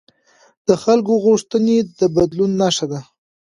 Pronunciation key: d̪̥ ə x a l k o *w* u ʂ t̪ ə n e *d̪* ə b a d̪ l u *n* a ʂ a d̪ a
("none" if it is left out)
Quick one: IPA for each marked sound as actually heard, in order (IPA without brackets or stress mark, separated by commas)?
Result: ɣ, d̪, nː